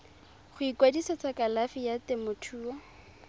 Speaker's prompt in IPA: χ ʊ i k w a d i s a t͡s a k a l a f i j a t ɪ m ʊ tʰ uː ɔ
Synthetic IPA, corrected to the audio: χ ʊ i k w a d i s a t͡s a k a l a f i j a t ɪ m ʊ tʰ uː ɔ